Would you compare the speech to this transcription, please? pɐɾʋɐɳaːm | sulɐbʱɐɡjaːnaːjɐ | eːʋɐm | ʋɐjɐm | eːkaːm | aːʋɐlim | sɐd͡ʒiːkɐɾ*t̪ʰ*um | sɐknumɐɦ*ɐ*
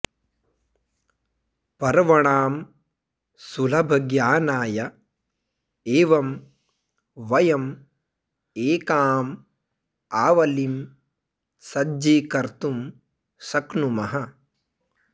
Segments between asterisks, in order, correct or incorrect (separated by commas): incorrect, correct